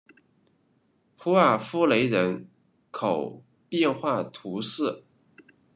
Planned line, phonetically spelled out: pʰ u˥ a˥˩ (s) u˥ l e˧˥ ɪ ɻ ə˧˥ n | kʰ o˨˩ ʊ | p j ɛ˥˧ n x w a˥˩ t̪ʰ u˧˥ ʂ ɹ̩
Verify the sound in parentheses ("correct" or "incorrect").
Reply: incorrect